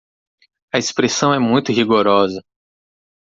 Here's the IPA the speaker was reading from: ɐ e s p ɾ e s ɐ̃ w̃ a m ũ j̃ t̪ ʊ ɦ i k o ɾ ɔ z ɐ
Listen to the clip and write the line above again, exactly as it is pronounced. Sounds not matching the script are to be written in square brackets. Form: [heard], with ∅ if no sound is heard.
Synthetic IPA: ɐ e s p ɾ e s ɐ̃ w̃ [ɛ] m ũ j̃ t̪ ʊ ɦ i [ɡ] o ɾ ɔ z ɐ